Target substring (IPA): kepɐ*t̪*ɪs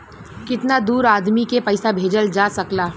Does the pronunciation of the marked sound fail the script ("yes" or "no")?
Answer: yes